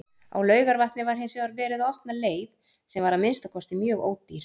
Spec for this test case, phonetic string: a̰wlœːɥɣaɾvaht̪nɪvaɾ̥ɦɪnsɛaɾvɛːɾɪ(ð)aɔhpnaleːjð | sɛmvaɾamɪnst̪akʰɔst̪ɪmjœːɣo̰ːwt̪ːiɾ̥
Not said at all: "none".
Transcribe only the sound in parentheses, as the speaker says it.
ð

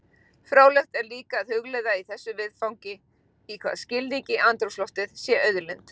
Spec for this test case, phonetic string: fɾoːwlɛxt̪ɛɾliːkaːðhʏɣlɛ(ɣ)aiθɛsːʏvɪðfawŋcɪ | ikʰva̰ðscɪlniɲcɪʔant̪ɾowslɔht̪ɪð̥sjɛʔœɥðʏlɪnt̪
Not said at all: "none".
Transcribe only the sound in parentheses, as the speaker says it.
ð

